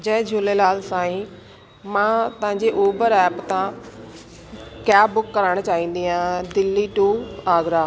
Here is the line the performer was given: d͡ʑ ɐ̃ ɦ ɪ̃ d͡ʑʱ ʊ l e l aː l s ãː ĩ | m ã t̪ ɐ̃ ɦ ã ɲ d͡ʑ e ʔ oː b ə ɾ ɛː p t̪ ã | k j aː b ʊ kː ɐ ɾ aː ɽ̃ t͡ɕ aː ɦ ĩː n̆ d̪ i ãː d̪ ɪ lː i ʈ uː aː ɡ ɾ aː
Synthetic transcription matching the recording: d͡ʑ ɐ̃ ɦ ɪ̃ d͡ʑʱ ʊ l e l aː l s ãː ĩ | m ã t̪ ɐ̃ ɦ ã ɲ d͡ʑ e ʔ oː b ə ɾ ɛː p t̪ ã | k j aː b ʊ kː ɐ ɾ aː ɽ̃ t͡ɕ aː ɦ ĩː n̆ d̪ i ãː d̪ ɪ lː i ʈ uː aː ɡ ɾ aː